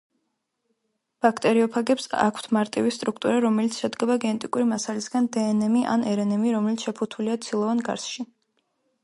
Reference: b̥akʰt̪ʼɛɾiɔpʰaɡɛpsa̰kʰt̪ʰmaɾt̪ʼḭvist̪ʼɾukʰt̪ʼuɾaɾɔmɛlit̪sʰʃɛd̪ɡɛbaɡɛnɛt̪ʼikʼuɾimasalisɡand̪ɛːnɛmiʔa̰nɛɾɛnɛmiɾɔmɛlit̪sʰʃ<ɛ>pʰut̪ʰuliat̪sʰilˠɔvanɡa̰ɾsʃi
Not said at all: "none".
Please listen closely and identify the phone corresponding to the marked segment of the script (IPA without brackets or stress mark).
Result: ɛ